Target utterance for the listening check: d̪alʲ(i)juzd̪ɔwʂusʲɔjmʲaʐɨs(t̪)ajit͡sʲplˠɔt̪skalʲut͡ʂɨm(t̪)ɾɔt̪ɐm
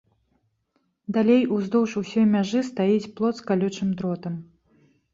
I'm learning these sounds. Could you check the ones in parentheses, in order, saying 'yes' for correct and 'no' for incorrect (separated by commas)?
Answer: no, yes, no